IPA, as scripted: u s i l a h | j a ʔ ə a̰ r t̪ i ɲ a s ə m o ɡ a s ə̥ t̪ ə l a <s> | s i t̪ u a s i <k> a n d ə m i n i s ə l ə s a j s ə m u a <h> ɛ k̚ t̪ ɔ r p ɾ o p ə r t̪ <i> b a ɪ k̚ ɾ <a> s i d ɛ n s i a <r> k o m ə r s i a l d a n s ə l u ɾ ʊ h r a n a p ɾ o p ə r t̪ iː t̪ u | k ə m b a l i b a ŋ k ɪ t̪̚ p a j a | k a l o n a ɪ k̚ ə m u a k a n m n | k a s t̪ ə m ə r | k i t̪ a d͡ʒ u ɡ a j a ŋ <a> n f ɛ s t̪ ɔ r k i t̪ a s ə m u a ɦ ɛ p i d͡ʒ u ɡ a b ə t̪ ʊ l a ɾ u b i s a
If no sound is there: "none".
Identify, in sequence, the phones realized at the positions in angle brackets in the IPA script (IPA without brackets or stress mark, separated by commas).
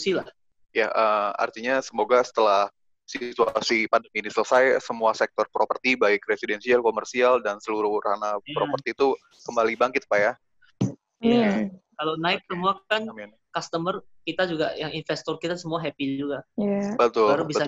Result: h, p, s, i, e, l, i